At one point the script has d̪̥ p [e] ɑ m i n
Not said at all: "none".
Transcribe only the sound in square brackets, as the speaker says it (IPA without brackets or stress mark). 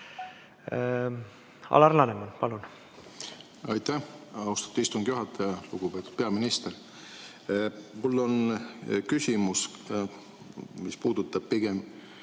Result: e